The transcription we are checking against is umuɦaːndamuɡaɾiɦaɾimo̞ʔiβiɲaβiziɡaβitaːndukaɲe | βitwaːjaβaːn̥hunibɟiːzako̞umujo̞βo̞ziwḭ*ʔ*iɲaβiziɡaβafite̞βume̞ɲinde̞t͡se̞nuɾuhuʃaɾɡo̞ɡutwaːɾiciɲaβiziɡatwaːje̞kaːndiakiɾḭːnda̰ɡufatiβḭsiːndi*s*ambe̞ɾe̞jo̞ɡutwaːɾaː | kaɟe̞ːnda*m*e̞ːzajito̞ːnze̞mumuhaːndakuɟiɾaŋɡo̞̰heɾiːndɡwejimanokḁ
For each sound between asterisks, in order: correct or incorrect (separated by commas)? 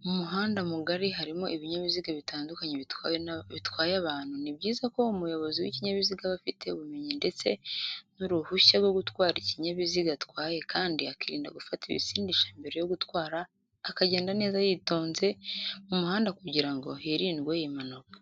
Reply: incorrect, incorrect, incorrect